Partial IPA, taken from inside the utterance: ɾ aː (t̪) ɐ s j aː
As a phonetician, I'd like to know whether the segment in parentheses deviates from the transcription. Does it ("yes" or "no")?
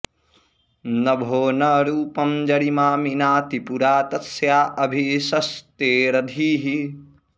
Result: no